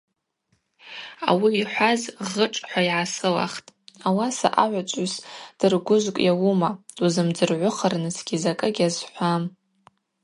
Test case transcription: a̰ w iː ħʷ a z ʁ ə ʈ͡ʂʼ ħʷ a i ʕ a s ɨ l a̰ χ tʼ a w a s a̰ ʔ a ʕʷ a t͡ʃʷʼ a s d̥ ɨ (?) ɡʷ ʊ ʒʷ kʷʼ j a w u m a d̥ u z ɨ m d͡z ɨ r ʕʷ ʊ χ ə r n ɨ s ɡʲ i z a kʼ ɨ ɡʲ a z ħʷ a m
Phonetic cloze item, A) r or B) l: A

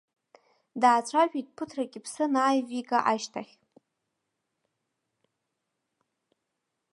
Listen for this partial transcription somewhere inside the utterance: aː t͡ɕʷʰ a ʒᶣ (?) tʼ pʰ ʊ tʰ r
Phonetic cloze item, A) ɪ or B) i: B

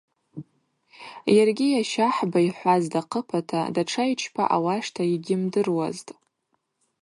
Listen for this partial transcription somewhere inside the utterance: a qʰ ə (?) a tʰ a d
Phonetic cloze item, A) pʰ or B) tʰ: A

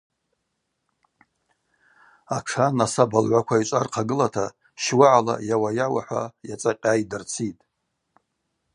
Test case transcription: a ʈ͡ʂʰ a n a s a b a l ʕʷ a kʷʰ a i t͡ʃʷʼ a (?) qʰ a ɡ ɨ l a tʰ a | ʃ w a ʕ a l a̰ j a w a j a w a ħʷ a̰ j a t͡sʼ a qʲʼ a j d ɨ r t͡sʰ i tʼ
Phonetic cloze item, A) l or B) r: B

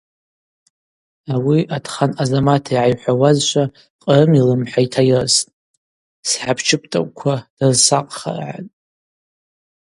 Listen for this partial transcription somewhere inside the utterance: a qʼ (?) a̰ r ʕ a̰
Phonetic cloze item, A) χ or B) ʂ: A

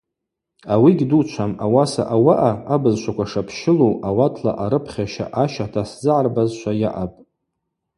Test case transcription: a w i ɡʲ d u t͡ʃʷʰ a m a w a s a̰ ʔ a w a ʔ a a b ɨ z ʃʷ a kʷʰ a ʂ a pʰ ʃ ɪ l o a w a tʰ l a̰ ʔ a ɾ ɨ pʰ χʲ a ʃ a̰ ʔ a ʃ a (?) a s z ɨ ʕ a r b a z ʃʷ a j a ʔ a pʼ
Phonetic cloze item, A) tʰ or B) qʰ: A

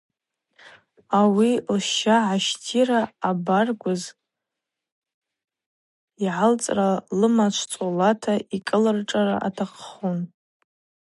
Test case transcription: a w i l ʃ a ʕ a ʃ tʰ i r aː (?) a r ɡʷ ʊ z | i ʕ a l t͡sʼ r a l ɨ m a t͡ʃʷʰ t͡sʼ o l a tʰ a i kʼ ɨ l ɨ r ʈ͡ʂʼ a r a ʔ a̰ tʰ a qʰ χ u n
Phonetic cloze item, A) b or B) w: A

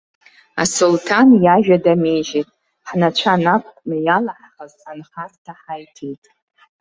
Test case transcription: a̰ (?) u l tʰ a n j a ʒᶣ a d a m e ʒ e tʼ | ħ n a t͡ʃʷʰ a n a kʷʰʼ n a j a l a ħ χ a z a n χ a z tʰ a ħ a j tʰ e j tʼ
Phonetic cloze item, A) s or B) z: A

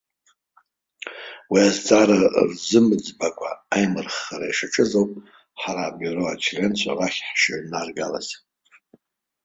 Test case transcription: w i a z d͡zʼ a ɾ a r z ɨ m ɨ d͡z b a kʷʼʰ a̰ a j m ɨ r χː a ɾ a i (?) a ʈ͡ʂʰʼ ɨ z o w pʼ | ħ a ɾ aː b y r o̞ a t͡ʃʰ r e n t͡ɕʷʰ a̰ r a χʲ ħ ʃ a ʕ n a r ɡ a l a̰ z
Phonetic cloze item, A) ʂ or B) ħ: A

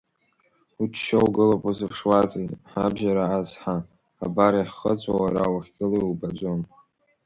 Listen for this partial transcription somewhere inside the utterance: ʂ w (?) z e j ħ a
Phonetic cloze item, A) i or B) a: B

